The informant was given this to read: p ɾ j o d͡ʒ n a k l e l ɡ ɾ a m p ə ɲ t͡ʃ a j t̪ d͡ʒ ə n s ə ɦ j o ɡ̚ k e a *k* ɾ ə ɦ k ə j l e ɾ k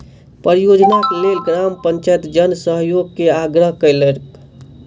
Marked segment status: incorrect: ɡ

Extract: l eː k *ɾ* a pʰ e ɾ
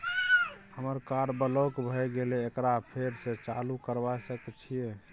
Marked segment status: correct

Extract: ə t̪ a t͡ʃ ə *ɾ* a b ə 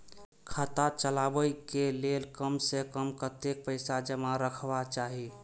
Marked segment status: incorrect: l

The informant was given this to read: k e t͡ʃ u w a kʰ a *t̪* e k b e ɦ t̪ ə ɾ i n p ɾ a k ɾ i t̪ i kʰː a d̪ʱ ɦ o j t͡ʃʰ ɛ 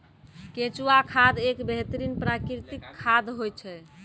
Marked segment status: incorrect: d̪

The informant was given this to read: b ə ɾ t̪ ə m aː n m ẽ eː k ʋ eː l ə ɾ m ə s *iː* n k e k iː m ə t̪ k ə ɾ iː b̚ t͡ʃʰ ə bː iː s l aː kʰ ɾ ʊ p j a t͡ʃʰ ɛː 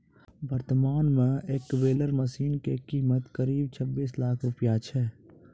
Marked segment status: correct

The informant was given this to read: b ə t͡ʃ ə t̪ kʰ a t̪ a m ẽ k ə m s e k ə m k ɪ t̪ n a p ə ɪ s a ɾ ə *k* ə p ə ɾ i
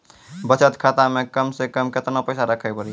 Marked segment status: incorrect: kʰ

